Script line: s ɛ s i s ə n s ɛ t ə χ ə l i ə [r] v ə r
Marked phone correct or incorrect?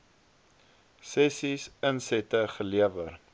incorrect: none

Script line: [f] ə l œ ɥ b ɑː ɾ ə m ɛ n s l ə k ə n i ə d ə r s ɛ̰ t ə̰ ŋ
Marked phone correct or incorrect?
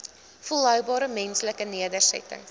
correct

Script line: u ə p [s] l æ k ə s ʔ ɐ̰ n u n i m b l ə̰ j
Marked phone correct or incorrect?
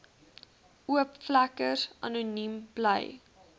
incorrect: f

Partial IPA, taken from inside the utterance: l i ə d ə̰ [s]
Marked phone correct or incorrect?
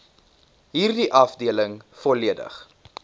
incorrect: χ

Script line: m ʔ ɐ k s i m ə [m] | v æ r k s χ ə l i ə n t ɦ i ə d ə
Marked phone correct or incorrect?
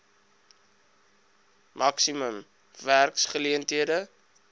correct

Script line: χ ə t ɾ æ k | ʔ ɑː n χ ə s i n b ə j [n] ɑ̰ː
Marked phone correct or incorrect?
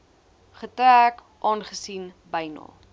correct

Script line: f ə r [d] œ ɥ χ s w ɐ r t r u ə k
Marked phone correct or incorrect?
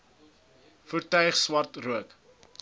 incorrect: t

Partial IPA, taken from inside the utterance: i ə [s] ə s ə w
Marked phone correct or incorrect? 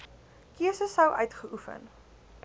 correct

